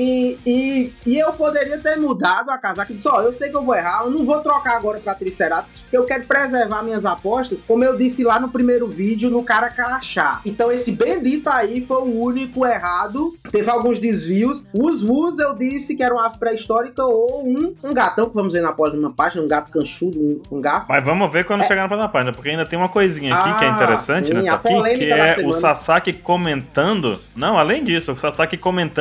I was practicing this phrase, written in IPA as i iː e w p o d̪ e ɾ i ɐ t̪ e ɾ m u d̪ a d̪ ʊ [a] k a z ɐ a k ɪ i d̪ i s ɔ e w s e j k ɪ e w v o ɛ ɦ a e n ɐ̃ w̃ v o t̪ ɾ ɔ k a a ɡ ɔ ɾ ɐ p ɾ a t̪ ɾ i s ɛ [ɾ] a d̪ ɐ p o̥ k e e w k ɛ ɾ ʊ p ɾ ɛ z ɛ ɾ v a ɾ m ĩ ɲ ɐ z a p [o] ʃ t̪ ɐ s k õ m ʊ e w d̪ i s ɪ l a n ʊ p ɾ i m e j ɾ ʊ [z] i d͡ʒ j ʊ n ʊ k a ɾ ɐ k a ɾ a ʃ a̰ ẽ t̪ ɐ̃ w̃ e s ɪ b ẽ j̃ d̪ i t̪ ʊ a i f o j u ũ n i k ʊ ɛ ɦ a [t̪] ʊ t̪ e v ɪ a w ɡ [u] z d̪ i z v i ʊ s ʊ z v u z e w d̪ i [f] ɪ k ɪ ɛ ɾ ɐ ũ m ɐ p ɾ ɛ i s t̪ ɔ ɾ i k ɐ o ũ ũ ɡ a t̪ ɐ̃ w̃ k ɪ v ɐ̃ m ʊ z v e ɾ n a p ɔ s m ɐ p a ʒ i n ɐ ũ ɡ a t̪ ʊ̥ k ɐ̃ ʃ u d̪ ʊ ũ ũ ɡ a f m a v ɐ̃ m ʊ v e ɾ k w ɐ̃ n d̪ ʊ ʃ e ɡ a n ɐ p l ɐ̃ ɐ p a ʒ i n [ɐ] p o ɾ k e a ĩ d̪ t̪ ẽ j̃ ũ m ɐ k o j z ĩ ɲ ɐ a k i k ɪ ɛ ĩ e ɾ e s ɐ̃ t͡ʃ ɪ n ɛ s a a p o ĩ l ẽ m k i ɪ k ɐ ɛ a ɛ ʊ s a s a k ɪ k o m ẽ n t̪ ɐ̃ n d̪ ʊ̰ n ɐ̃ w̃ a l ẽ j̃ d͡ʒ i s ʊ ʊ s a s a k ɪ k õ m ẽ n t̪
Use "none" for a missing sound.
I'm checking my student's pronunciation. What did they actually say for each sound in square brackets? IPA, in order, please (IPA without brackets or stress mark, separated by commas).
a, ɾ, ɔ, v, d̪, ũ, s, ɐ